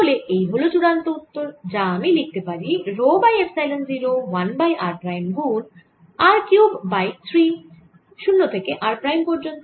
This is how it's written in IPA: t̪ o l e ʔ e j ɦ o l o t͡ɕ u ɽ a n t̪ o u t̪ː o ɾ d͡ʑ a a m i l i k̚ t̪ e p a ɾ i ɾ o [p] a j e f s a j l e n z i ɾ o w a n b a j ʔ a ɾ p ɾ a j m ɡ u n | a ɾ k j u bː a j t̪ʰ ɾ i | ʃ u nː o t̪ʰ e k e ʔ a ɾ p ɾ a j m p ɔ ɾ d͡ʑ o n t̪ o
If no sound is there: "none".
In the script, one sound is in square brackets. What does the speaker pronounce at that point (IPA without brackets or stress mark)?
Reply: b